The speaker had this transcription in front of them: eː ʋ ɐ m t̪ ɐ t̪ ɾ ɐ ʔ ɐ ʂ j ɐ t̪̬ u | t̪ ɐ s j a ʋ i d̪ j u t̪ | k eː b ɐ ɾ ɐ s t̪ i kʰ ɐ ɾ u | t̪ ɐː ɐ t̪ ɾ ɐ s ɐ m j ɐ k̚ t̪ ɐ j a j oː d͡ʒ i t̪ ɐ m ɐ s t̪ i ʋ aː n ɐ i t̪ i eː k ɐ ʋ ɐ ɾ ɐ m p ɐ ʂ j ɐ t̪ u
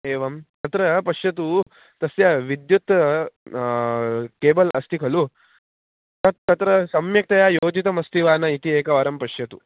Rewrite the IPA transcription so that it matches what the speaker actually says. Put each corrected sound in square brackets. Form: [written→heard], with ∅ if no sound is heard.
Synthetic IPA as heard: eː ʋ ɐ m t̪ ɐ t̪ ɾ ɐ [ʔ→p] ɐ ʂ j ɐ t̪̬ u | t̪ ɐ s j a ʋ i d̪ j u t̪ | k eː b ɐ [ɾ→l] ɐ s t̪ i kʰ ɐ [ɾ→l] u | t̪ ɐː ɐ t̪ ɾ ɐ s ɐ m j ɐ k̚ t̪ ɐ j a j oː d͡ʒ i t̪ ɐ m ɐ s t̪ i ʋ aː n ɐ i t̪ i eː k ɐ ʋ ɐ ɾ ɐ m p ɐ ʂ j ɐ t̪ u